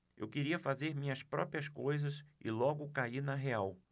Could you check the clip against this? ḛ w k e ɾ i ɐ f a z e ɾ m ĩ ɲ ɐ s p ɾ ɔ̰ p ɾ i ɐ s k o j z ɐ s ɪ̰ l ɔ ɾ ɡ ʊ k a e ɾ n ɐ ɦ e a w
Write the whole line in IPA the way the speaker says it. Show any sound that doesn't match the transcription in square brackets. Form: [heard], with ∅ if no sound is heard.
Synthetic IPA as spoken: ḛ w k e ɾ i ɐ f a z e ɾ m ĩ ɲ ɐ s p ɾ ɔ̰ p ɾ i ɐ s k o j z ɐ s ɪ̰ l ɔ [∅] ɡ ʊ k a [i] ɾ n ɐ ɦ e a w